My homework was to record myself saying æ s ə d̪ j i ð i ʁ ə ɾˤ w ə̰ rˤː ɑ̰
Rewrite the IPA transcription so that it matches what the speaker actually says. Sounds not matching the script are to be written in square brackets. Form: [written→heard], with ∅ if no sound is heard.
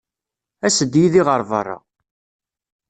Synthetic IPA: æ s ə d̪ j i ð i ʁ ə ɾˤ [w→v] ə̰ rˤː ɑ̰